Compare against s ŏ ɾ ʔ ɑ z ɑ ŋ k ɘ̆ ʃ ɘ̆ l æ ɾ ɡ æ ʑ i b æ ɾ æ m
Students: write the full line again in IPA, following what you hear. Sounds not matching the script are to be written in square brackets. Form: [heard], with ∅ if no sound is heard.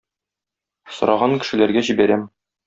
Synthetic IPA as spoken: s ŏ ɾ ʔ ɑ [ʁ] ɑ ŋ k ɘ̆ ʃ ɘ̆ l æ ɾ ɡ æ ʑ i b æ ɾ æ m